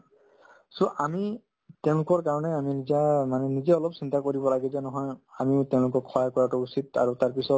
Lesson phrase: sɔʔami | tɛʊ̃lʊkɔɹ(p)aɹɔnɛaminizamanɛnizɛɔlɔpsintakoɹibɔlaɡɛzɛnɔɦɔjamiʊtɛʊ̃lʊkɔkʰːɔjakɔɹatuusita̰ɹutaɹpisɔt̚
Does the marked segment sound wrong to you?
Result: yes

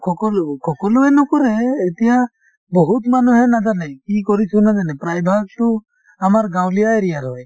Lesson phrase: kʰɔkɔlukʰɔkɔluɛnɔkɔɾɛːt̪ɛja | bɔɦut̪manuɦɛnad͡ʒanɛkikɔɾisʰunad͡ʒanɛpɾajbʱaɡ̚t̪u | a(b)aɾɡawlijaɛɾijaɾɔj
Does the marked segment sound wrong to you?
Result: yes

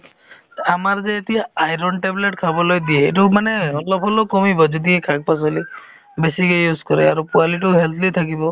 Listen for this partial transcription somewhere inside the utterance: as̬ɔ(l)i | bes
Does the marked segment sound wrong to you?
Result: no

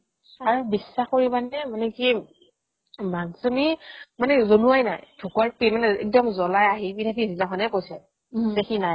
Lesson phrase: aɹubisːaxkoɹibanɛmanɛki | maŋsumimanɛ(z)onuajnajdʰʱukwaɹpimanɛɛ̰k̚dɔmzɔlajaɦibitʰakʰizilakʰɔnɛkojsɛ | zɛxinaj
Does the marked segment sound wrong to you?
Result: no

